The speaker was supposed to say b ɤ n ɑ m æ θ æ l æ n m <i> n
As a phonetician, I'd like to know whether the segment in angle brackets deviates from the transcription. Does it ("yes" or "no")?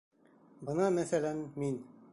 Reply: no